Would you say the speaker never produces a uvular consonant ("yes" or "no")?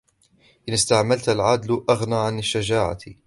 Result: yes